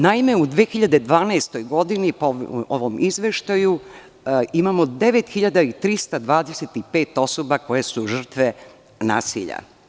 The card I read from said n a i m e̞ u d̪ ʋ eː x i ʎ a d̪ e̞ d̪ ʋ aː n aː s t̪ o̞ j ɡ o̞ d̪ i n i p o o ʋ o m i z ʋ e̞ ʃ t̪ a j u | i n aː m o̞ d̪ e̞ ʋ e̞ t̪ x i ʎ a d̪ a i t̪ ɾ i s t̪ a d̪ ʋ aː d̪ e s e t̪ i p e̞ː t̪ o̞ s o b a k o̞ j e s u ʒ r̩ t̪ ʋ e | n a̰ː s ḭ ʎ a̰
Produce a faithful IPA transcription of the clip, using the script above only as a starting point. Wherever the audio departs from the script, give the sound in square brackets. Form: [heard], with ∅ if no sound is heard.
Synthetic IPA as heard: n a i m e̞ u d̪ ʋ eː x i ʎ a d̪ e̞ d̪ ʋ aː n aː s t̪ o̞ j ɡ o̞ d̪ i n i p o o ʋ o m i z ʋ e̞ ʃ t̪ a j u | i [m] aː m o̞ d̪ e̞ ʋ e̞ t̪ x i ʎ a d̪ a i t̪ ɾ i s t̪ a d̪ ʋ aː d̪ e s e t̪ i p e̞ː t̪ o̞ s o b a k o̞ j e s u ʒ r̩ t̪ ʋ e | n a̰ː s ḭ ʎ a̰